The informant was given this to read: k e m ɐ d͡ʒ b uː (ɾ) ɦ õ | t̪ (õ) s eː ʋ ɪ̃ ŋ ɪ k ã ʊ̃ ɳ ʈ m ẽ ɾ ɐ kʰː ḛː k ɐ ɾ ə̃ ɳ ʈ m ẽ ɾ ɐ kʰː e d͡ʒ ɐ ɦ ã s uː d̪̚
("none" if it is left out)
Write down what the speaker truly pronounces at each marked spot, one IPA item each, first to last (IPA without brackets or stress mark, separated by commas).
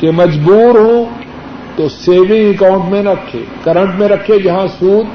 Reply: ɾ, o